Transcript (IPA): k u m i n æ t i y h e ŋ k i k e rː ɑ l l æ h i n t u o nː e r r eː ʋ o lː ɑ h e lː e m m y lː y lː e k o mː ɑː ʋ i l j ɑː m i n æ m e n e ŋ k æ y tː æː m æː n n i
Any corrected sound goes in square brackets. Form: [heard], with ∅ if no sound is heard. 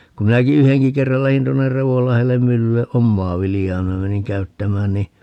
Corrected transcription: k u m i n æ [k] i y h e ŋ k i k e rː ɑ l l æ h i n t u o nː e r r [e] ʋ o lː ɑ h e lː e m m y lː y lː e [ʔ] o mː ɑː ʋ i l j ɑː m i n æ m e n [i] ŋ k æ y tː [æ] m æː n n i